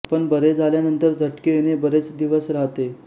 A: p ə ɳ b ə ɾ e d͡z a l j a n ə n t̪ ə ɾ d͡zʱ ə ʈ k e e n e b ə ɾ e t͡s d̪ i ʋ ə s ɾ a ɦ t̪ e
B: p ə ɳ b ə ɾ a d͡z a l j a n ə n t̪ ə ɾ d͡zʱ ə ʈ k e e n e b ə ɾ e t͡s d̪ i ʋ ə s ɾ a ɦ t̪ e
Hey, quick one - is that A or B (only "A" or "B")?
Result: A